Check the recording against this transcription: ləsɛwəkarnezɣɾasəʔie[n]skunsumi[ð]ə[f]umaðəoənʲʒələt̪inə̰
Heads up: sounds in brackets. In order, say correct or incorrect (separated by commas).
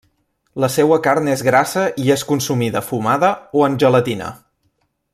incorrect, correct, correct